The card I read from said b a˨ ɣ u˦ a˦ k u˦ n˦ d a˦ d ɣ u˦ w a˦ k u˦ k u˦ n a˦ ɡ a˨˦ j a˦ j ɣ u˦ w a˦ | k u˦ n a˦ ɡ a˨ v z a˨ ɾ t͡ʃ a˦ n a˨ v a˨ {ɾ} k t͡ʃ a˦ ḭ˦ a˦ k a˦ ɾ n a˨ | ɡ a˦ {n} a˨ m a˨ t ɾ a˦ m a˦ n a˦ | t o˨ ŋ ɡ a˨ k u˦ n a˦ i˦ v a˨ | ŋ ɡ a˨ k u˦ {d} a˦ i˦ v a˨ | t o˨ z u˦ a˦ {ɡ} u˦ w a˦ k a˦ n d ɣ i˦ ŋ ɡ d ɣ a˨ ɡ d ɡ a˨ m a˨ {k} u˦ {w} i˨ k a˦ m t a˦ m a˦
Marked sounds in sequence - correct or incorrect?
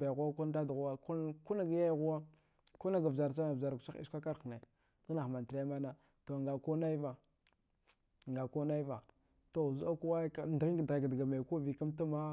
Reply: correct, correct, incorrect: n, incorrect: k, correct, incorrect: v

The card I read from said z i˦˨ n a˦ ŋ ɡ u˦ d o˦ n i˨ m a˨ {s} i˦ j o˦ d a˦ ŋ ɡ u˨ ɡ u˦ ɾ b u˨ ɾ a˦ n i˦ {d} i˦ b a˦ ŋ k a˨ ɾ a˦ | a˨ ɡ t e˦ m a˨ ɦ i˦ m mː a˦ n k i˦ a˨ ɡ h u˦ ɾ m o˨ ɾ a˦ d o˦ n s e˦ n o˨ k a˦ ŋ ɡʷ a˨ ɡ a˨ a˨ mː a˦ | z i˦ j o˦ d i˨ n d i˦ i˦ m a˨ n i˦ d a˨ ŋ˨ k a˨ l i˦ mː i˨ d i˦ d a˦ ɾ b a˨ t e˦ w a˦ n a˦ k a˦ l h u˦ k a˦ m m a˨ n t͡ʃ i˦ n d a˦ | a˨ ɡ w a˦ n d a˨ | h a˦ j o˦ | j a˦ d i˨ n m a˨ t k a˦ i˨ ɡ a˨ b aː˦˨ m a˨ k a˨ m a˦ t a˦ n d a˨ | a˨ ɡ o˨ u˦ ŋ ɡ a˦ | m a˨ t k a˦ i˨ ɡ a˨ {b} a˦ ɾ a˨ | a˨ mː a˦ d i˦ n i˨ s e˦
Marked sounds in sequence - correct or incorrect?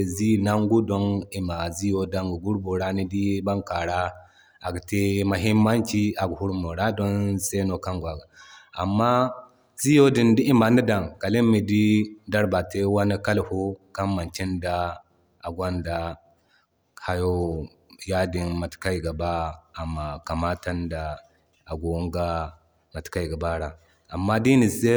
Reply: incorrect: z, correct, correct

